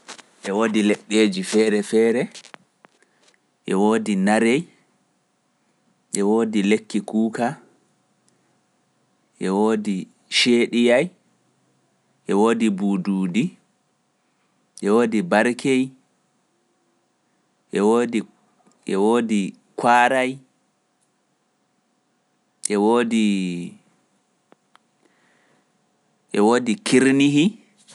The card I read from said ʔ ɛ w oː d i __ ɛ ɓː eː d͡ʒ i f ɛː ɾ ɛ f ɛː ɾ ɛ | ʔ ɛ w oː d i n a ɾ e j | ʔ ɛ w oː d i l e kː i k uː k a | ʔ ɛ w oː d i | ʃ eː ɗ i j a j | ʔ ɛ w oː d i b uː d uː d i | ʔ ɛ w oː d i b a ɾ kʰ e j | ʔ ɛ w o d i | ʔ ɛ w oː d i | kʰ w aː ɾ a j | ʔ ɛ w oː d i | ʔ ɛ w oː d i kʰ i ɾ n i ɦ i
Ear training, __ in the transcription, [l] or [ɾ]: l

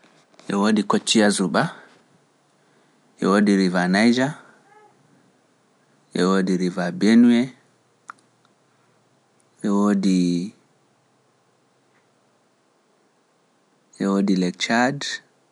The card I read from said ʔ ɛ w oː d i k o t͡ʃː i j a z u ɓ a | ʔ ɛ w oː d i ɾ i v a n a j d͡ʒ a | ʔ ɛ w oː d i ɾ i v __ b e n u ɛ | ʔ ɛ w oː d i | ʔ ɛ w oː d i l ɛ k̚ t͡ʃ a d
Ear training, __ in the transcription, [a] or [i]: a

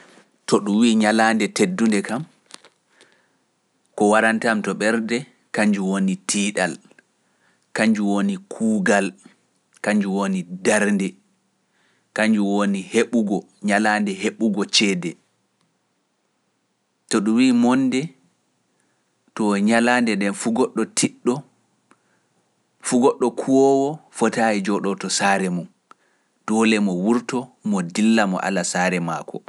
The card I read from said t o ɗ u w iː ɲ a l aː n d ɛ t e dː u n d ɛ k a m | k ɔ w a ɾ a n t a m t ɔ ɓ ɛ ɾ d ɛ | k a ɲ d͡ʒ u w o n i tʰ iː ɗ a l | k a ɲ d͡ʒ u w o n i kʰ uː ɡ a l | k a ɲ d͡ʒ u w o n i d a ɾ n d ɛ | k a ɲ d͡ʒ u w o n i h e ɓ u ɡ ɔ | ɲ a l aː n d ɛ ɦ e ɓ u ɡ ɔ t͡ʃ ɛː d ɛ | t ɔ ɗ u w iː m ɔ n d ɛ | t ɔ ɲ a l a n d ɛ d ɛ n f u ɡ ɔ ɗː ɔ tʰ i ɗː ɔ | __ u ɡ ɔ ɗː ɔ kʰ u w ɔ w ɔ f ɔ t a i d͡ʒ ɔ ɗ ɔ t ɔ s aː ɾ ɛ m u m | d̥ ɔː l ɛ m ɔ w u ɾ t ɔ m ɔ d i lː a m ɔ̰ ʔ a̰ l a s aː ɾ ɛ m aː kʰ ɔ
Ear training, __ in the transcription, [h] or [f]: f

